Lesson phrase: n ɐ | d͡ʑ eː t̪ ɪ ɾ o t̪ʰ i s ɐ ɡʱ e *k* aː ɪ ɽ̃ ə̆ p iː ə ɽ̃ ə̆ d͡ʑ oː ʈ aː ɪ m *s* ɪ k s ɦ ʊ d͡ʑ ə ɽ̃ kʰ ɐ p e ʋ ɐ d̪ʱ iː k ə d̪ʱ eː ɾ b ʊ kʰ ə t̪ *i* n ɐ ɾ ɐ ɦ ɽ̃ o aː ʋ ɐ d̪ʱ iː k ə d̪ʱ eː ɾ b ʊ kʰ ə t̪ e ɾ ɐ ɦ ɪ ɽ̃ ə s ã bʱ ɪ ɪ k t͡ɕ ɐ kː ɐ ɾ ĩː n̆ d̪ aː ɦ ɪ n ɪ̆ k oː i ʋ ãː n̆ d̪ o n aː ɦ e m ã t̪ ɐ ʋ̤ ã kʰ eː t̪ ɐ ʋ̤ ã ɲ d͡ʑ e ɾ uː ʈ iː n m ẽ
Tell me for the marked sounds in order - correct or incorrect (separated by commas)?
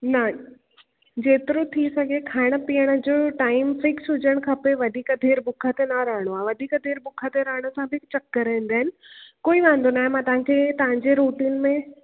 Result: incorrect, incorrect, incorrect